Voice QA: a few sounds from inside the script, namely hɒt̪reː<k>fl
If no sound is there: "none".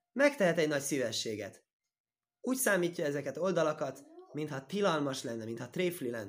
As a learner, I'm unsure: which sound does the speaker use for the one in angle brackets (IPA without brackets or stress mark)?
none